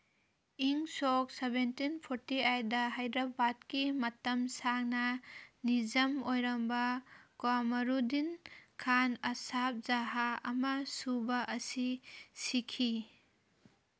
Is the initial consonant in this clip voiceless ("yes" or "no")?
no